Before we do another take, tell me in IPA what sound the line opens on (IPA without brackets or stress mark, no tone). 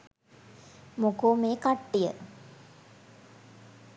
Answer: m